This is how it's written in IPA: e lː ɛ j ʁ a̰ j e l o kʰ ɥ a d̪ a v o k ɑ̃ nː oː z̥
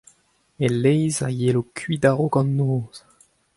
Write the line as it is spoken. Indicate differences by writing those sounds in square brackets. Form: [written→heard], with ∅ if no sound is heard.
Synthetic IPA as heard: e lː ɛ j [ʁ→z] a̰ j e l o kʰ ɥ [a→i] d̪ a [v→ʁ] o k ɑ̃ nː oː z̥